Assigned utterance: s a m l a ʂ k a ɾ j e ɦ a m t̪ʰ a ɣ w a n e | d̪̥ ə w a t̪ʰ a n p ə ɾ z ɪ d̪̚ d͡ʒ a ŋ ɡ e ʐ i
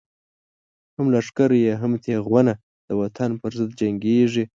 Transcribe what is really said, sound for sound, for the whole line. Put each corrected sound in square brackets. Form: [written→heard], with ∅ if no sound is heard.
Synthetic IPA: [s→h] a m l a ʂ k a ɾ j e ɦ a m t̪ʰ [a→e] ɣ w a n [e→a] | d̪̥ ə w a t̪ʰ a n p ə ɾ z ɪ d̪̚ d͡ʒ a ŋ ɡ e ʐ i

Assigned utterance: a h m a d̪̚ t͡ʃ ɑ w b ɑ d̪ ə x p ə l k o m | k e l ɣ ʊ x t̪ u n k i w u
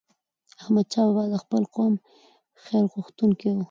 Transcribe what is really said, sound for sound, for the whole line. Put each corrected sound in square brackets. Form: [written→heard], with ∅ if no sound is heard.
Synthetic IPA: a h m a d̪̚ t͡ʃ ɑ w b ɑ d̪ ə x p ə l [k→q] o m | [k→x] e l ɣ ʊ x t̪ u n k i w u

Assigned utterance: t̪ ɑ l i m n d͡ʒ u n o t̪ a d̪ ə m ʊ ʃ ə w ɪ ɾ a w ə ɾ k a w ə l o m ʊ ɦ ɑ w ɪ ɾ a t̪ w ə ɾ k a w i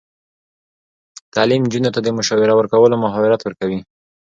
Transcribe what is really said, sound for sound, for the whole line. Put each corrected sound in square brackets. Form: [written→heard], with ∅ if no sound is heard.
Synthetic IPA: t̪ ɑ l i m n d͡ʒ u n o t̪ a d̪ ə m ʊ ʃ [ə→ɑ] w ɪ ɾ a w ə ɾ k a w ə l o m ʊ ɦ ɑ w ɪ ɾ a t̪ w ə ɾ k a w i

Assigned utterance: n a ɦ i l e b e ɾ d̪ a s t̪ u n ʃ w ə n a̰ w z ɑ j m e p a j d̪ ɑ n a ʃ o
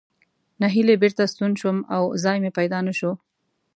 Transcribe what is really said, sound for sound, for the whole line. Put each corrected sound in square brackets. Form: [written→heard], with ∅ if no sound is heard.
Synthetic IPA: n a ɦ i l e b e ɾ [d̪→t̪] a s t̪ u n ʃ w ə [n→m] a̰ w z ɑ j m e p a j d̪ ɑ n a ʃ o

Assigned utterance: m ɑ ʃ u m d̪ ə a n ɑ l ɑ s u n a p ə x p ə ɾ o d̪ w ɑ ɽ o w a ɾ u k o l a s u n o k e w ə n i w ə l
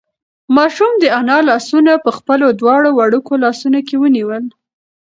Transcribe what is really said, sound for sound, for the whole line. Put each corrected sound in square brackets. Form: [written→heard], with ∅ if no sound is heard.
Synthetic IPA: m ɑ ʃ u m d̪ ə a n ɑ l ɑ s u n a p ə x p ə [ɾ→l] o d̪ w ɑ ɽ o w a [ɾ→ɽ] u k o l [a→ɑ] s u n o k e w ə n i w ə l

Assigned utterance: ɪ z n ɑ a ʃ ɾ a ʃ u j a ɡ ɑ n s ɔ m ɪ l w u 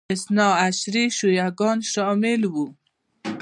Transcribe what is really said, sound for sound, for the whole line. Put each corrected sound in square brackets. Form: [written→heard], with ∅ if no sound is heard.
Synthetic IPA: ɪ [z→s] n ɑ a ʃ ɾ [a→i] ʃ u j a ɡ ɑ n [s→ʃ] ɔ m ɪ l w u

